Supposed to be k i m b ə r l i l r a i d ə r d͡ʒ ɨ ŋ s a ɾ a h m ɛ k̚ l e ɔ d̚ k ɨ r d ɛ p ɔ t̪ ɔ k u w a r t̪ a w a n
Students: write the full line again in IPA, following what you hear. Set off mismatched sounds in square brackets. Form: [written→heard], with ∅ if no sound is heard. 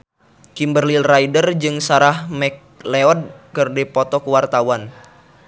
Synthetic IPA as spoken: k i m b ə r l i l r a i d ə r d͡ʒ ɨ ŋ s a ɾ a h m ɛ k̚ l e ɔ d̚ k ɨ r d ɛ p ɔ t̪ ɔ k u w a r t̪ a w a n